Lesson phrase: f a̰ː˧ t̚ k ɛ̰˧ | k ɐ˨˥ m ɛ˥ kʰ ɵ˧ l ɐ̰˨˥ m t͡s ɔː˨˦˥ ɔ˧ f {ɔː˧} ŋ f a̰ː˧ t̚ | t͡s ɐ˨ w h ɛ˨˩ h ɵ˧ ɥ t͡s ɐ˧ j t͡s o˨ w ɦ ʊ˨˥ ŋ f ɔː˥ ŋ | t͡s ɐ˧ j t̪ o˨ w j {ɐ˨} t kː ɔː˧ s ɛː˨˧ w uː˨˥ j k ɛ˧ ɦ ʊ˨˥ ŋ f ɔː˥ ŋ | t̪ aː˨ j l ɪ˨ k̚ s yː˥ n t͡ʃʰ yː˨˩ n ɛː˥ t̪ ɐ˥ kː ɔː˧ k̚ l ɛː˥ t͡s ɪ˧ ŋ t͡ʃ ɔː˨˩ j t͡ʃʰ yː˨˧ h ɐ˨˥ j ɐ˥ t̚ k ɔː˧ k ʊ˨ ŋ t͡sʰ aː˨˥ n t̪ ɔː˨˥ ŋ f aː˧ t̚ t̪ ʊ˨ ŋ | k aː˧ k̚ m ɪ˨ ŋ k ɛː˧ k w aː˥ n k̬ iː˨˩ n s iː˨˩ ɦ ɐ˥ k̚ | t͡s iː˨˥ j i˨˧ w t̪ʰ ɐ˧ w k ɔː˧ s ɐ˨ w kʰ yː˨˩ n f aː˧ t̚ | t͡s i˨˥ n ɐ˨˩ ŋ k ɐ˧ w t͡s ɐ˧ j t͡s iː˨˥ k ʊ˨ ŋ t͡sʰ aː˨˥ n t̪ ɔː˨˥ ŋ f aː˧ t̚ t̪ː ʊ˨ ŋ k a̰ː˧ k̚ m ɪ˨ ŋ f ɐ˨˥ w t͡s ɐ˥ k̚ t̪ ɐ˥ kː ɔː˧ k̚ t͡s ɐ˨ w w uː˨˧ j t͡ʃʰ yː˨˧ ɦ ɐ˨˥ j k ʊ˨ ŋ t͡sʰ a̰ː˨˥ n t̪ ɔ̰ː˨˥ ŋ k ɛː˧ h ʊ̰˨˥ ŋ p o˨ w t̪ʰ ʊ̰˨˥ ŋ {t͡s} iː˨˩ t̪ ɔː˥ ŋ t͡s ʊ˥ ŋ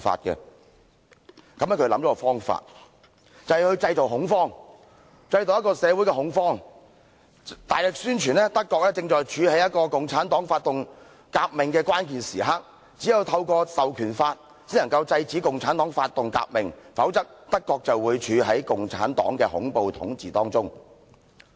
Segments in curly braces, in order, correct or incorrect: incorrect: ɔː˥, incorrect: ɐ˥, correct

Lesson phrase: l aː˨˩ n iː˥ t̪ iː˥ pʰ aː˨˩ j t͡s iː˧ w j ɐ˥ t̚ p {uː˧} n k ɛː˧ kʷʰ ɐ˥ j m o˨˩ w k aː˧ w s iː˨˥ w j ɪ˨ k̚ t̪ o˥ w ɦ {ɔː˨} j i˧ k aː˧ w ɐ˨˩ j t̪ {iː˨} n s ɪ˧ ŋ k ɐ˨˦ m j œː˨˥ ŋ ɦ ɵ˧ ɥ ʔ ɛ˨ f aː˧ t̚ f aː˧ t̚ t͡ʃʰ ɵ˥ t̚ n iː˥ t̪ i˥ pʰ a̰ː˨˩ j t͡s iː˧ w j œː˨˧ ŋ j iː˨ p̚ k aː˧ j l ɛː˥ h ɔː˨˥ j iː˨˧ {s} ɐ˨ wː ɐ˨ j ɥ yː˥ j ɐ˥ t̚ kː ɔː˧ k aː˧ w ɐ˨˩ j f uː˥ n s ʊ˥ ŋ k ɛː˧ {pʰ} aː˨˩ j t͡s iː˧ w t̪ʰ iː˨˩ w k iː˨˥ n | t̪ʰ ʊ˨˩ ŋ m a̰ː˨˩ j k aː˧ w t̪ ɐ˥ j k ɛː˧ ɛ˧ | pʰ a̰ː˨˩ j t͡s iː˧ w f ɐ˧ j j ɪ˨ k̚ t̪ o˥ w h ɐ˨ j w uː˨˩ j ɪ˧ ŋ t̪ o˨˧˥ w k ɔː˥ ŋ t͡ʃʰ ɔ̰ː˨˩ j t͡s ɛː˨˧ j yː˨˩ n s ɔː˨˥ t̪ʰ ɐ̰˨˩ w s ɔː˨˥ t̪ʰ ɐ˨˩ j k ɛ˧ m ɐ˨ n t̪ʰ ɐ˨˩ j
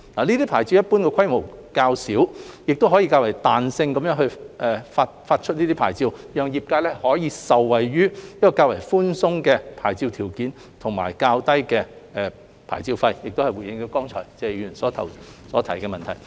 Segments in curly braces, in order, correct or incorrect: incorrect: uː˥, incorrect: ɔː˨˥, incorrect: aː˨, correct, correct

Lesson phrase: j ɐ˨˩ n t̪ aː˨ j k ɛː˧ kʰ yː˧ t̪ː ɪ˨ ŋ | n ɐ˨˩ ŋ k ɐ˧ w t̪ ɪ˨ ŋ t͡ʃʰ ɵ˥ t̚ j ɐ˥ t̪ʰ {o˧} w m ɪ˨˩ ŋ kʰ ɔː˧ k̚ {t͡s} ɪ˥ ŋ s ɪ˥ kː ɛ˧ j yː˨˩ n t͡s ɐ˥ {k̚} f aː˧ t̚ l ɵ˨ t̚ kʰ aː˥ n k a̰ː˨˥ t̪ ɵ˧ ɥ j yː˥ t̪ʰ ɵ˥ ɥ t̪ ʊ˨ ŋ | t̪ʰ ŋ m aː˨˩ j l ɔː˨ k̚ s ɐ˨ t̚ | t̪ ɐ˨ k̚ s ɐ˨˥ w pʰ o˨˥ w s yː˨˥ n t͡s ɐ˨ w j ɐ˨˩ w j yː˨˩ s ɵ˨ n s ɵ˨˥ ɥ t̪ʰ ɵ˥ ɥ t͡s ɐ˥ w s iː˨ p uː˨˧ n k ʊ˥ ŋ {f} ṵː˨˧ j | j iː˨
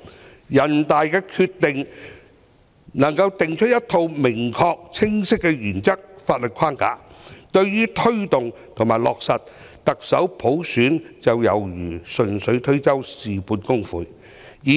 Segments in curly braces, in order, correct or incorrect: correct, incorrect: t͡sʰ, correct, correct

